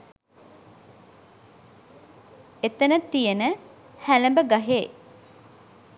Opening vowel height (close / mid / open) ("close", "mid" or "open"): mid